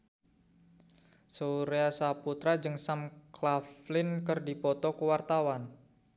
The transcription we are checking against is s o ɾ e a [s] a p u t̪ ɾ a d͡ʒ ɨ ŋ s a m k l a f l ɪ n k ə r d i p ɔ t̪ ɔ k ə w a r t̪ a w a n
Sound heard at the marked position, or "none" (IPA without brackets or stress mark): s